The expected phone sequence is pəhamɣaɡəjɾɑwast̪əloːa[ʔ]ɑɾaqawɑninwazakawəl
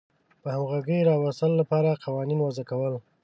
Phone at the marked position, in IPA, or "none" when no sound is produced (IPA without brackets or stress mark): p